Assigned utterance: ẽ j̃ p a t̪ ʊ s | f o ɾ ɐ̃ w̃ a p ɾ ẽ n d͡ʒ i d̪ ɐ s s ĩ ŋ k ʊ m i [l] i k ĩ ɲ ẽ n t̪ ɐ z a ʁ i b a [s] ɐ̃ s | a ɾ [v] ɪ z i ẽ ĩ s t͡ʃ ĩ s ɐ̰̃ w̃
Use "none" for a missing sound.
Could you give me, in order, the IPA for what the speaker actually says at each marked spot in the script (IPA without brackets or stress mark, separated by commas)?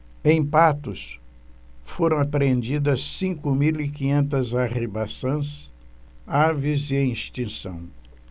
l, s, v